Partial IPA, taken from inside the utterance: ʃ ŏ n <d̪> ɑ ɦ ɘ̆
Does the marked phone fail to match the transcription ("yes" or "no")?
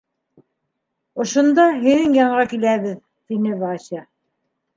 no